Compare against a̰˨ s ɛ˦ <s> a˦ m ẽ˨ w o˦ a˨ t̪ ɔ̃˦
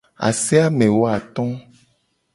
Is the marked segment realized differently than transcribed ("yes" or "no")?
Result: yes